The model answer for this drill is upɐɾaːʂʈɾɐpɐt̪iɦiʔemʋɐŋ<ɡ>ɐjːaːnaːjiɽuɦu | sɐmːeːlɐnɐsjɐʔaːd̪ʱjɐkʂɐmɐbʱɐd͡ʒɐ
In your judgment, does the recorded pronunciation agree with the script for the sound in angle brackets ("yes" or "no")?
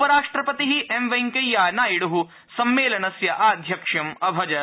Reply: no